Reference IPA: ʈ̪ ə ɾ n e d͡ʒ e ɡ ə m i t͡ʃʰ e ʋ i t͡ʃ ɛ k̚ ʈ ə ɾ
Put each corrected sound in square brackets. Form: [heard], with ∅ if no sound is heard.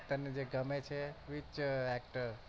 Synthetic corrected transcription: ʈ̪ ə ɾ n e d͡ʒ e ɡ ə m [e] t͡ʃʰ e ʋ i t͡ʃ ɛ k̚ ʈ ə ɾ